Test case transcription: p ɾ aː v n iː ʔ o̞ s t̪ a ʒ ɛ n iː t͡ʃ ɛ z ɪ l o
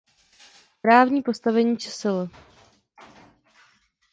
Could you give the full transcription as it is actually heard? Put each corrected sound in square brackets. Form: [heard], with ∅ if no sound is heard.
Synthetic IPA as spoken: p ɾ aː v [ɲ] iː [p] o̞ s t̪ a [v] ɛ [ɲ] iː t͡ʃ ɛ [s] ɪ l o